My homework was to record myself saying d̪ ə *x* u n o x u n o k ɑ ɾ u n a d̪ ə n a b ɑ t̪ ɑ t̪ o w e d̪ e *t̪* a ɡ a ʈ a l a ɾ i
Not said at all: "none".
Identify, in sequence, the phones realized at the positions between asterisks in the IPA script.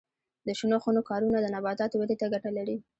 ʃ, t̪

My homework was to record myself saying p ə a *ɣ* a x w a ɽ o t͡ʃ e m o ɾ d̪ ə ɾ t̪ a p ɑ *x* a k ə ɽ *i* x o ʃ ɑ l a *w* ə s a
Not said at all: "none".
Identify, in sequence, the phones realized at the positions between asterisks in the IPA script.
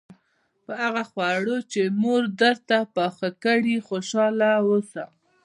ɣ, x, i, w

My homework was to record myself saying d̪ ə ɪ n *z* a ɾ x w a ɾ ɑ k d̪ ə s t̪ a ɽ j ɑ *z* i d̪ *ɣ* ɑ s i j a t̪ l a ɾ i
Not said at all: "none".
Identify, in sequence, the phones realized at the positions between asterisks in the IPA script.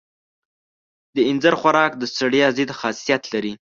z, z, x

